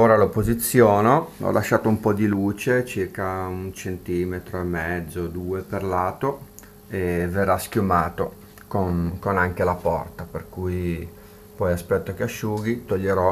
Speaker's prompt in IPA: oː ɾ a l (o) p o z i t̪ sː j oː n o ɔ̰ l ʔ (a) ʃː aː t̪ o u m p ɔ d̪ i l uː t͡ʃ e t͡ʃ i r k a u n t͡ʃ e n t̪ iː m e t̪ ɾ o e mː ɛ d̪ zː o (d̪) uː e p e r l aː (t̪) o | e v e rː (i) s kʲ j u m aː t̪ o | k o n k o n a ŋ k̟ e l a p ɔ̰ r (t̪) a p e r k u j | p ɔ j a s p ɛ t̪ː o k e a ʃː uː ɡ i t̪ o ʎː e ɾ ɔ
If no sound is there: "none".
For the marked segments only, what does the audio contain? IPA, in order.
o, a, d̪, t̪, a, t̪

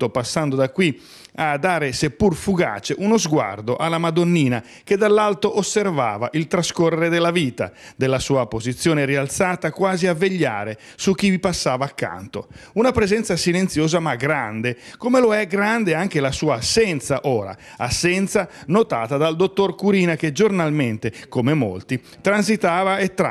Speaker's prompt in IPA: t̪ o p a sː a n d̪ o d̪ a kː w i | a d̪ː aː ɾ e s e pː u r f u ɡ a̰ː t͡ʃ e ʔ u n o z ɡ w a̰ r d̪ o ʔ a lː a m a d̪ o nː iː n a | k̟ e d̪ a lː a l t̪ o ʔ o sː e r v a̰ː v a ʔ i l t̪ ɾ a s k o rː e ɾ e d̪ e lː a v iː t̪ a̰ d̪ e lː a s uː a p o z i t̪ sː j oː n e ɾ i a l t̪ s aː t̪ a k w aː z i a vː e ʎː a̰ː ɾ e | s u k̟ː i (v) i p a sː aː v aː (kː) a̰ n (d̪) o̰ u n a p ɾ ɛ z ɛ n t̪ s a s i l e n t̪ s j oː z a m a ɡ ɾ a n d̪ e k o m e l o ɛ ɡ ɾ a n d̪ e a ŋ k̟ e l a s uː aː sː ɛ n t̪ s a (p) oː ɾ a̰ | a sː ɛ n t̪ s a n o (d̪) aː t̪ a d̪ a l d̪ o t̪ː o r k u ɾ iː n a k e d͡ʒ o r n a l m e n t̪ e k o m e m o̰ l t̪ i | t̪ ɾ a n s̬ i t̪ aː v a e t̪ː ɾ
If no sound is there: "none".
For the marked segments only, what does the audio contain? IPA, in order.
v, kː, t̪, ʔ, t̪

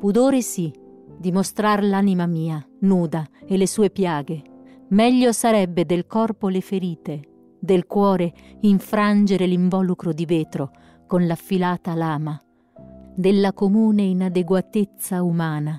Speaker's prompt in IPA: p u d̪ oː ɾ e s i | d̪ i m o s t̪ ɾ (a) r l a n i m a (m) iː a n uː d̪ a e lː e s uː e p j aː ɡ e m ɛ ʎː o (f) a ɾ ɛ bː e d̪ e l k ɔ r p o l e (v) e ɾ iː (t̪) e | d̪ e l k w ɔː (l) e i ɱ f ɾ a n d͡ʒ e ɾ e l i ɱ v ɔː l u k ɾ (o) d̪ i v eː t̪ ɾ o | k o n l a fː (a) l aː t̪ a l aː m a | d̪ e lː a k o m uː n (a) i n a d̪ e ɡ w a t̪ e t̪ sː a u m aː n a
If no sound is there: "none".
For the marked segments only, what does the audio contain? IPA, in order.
a, m, s, f, t̪, ɾ, o, i, e

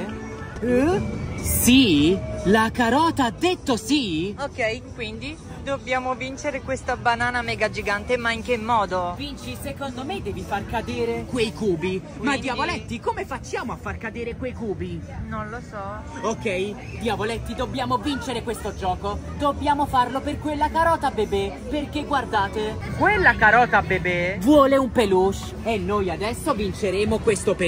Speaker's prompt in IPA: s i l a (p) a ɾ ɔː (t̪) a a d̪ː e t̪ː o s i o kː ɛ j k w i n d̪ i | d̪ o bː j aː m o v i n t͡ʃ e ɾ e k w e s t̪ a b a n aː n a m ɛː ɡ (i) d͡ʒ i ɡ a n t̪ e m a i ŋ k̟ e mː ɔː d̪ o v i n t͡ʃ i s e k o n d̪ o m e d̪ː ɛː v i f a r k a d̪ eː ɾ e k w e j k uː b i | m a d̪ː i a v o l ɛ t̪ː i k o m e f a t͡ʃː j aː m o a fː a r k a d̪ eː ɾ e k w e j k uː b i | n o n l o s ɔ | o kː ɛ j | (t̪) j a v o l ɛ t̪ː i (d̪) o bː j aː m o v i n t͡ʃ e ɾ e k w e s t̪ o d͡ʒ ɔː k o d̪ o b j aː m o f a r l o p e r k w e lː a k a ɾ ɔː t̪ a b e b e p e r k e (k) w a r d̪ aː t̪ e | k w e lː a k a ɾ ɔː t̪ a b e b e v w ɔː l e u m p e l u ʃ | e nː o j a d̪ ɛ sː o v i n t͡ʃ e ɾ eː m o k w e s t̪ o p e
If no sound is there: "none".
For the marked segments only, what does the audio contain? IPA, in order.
k, t̪, a, d̪, d̪, ɡ

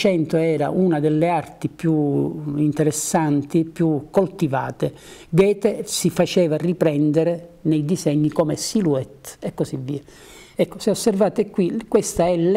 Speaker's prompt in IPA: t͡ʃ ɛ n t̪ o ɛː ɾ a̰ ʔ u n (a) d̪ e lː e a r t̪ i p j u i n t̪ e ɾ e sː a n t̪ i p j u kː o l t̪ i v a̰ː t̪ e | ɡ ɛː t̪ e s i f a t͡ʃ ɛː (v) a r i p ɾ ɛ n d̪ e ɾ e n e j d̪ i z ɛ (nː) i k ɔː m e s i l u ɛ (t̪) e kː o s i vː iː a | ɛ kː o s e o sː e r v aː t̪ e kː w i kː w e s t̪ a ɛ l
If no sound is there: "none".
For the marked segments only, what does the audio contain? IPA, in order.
a, v, ɲː, t̪

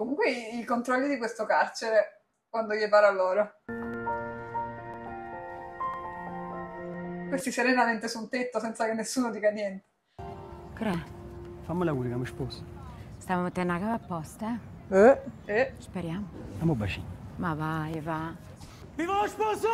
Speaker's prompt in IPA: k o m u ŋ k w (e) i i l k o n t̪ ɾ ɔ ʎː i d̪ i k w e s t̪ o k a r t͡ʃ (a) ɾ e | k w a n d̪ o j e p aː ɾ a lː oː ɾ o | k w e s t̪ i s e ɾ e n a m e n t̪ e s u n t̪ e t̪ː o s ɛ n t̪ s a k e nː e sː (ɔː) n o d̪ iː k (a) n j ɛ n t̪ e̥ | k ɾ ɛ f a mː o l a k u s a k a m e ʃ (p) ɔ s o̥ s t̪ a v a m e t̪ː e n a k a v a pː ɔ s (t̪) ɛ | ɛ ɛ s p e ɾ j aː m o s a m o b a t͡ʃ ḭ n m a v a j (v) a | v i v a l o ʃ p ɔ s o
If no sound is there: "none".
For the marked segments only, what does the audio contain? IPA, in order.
e, e, uː, a, p, t̪, v

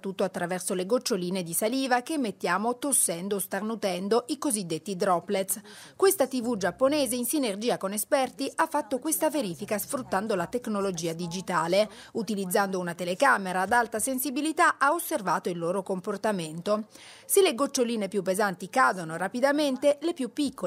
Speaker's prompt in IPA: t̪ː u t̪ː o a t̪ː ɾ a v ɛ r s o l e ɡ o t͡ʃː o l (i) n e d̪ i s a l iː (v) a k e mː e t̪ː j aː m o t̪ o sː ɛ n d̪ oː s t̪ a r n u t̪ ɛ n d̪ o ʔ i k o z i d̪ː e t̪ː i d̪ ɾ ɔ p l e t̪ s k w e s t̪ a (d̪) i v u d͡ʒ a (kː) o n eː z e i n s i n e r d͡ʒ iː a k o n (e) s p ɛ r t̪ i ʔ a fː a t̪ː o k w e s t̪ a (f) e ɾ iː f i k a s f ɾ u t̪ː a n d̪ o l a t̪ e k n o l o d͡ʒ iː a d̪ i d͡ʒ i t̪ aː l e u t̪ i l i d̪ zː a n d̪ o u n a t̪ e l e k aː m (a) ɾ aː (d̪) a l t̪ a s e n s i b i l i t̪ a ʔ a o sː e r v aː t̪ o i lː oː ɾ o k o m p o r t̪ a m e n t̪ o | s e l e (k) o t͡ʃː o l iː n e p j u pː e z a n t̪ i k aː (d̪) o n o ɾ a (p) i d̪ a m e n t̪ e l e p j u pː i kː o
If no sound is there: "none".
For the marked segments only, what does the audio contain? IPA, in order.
iː, v, t̪, pː, e, v, e, d̪, ɡ, d̪, p

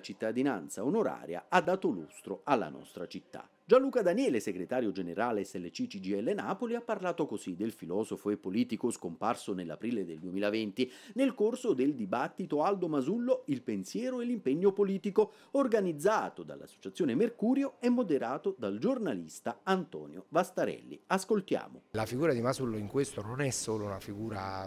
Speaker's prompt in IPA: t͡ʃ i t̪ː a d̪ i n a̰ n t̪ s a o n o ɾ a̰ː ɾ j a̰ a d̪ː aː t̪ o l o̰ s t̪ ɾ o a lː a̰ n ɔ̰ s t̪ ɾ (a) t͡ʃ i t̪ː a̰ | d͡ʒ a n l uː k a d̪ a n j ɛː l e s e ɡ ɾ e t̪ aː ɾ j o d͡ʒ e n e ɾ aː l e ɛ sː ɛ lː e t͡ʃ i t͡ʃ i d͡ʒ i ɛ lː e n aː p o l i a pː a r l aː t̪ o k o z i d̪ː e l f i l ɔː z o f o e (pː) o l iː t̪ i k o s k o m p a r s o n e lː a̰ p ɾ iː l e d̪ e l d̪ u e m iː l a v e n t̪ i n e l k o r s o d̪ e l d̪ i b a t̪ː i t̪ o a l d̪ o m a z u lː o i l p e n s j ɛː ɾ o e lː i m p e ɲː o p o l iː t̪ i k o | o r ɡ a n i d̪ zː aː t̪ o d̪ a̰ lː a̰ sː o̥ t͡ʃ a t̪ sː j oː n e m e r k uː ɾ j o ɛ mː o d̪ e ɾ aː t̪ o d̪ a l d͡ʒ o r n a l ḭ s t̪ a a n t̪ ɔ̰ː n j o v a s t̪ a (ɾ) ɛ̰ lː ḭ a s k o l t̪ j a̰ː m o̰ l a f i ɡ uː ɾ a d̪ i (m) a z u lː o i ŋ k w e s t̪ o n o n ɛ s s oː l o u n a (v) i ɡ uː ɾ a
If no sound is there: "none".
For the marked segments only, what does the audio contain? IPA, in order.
a, pː, ɾ, m, f

